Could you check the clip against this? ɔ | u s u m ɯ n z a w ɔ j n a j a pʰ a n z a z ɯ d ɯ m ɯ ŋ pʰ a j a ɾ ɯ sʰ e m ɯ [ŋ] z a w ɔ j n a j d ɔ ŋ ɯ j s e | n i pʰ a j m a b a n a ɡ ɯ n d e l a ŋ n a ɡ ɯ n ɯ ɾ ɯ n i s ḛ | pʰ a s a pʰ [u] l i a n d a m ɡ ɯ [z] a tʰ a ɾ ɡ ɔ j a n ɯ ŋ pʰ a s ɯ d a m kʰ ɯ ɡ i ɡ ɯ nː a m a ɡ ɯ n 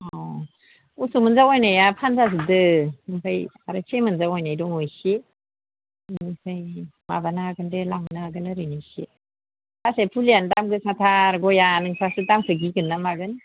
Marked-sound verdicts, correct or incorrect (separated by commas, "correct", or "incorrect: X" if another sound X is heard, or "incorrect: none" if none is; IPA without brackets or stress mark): incorrect: n, correct, incorrect: s